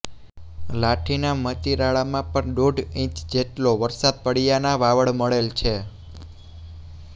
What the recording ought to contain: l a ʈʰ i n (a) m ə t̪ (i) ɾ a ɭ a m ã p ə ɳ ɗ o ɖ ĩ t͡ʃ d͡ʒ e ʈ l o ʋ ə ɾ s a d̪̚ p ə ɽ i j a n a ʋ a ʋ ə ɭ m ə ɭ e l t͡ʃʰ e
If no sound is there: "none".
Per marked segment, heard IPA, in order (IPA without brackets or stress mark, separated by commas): a, i